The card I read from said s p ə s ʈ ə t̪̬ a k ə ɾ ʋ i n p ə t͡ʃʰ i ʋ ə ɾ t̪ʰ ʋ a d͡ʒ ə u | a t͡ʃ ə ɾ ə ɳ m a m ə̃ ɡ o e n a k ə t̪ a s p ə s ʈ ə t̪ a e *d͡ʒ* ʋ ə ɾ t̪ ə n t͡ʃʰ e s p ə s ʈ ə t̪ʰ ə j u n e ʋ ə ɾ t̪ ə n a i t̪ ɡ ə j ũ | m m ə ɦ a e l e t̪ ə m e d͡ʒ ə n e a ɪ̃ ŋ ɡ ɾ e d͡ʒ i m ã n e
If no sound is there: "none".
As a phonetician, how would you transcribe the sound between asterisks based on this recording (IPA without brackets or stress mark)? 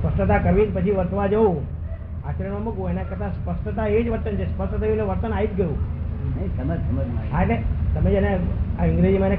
d͡ʒ